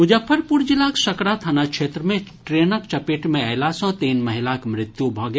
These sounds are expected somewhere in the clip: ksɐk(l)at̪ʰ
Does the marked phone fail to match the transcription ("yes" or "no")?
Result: yes